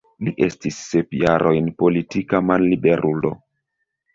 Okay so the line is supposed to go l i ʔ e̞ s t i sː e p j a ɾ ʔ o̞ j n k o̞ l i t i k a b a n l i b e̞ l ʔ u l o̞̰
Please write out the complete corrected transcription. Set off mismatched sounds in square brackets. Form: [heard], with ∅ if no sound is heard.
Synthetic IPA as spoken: l i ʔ e̞ s t i sː e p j a ɾ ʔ o̞ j n [p] o̞ l i t i k a [m] a n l i b e̞ [ɾ] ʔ u l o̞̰